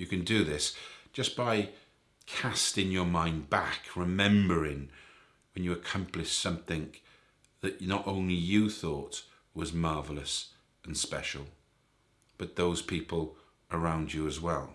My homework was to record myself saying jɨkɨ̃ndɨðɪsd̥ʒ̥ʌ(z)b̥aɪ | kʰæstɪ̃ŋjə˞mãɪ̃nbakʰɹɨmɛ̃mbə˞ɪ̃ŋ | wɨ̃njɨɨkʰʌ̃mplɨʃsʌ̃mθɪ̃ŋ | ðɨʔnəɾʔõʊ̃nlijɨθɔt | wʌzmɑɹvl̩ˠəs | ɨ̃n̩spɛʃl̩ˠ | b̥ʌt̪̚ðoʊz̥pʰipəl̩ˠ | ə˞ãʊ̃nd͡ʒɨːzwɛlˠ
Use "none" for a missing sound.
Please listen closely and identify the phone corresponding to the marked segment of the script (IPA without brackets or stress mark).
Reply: s